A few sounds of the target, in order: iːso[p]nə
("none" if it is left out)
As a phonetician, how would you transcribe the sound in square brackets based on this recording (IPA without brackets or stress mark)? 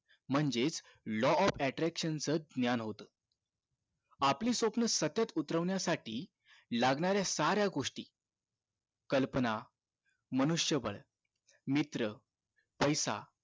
p